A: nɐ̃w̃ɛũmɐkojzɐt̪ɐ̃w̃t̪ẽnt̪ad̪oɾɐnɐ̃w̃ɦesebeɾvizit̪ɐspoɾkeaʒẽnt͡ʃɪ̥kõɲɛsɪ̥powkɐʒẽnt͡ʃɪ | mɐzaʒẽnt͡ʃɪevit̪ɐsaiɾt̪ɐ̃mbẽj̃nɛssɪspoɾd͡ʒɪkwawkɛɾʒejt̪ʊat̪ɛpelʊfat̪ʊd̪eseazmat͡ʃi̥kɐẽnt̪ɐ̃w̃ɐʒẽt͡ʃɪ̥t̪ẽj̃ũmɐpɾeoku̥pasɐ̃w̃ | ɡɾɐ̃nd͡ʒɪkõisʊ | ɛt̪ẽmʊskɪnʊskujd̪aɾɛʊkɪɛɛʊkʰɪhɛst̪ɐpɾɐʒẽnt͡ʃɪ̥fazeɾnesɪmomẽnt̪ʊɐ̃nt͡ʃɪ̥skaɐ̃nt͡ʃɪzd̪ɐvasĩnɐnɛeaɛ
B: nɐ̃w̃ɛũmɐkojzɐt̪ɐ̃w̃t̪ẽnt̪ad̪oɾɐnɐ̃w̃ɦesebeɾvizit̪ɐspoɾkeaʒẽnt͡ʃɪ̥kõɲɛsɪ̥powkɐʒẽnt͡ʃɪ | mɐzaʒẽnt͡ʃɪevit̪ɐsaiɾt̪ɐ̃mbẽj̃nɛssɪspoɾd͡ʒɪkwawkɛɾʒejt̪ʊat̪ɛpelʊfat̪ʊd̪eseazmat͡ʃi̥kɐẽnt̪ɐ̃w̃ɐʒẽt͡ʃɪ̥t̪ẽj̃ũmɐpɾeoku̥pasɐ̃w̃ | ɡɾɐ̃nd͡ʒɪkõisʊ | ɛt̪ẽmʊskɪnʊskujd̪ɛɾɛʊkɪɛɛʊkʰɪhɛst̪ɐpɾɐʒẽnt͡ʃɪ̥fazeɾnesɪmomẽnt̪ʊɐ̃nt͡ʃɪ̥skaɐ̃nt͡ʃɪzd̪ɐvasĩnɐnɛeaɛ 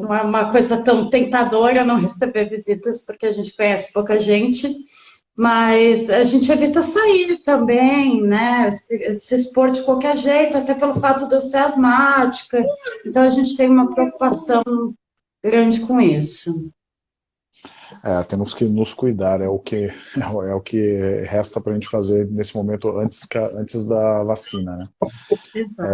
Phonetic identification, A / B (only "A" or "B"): A